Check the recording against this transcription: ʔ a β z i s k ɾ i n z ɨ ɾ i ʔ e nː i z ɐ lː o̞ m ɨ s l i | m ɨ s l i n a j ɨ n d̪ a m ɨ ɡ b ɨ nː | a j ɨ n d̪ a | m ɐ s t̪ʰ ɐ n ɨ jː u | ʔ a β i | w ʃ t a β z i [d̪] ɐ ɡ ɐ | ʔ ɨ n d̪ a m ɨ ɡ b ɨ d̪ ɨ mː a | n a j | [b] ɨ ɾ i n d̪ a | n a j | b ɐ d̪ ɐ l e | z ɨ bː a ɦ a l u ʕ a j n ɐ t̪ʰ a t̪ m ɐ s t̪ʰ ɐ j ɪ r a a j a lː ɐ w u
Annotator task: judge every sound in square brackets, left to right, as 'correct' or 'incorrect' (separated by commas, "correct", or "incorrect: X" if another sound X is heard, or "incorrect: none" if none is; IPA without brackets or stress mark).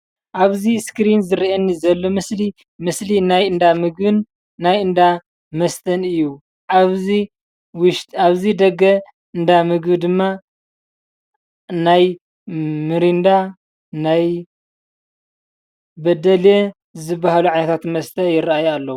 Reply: correct, incorrect: m